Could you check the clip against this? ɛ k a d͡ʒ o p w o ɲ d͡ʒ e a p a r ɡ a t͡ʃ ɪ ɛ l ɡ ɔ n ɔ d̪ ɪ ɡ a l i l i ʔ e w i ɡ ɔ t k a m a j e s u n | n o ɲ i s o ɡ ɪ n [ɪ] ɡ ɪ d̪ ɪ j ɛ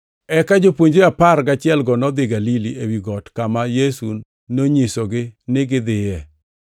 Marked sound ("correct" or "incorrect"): correct